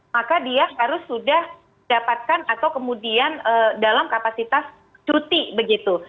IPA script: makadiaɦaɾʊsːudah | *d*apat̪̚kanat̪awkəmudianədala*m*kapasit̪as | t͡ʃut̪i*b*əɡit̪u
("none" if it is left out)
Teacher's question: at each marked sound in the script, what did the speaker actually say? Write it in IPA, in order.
d, m, b

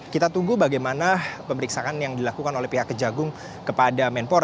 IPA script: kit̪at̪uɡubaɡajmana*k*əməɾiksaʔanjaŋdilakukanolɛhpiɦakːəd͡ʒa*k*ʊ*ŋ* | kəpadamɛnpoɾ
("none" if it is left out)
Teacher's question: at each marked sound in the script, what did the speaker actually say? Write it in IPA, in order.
p, ɡ, ŋ

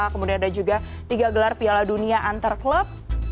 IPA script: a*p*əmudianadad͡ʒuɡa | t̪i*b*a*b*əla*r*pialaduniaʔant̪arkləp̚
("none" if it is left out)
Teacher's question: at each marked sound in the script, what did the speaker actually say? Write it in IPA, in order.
k, ɡ, ɡ, r

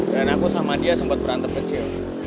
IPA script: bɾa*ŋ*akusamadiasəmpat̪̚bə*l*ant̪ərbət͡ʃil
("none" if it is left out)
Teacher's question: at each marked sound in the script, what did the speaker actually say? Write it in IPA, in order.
n, ɾ

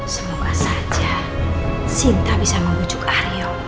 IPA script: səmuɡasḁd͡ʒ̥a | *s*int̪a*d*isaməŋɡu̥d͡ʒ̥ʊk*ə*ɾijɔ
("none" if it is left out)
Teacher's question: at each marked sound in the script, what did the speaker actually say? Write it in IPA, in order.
s, b, a

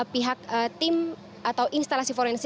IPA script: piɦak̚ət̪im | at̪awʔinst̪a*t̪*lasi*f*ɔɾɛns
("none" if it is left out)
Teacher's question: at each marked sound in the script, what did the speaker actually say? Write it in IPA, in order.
none, f

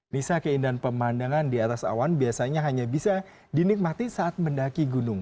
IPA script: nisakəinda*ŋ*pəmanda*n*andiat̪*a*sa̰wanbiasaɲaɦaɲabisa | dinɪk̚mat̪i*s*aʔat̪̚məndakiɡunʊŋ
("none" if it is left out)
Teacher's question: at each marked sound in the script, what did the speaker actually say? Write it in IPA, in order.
n, ŋ, a, s

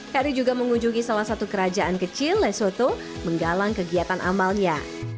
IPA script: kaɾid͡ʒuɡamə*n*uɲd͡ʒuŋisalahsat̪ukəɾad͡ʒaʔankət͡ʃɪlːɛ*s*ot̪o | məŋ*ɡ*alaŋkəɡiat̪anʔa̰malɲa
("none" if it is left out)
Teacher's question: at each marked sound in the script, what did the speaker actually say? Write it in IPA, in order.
ŋ, s, ɡ

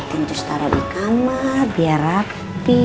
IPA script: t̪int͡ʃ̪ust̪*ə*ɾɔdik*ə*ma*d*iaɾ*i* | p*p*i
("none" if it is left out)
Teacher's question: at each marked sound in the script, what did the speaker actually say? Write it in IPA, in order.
a, a, b, a, p

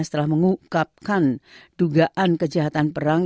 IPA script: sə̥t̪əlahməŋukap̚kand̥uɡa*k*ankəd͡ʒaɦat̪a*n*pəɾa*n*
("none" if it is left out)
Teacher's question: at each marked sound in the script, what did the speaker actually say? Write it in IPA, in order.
ʔ, n, ŋ

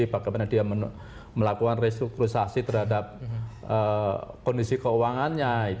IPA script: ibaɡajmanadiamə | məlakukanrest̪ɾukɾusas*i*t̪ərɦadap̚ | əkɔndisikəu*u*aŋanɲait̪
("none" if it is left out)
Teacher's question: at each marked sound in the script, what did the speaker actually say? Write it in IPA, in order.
i, w

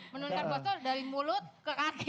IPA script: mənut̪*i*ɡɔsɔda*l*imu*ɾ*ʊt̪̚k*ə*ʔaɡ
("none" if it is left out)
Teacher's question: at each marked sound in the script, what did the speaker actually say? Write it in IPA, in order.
a, ɾ, l, ə

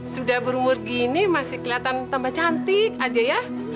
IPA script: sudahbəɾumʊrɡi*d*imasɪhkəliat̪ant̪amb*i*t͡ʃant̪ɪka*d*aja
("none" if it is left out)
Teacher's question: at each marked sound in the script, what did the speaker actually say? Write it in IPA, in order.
n, a, d͡ʒ

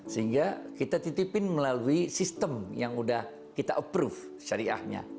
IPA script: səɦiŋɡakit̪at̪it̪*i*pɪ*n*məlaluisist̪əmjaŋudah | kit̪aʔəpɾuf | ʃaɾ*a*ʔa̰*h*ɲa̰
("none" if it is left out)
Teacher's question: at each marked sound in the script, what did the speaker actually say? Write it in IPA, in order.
i, n, i, h

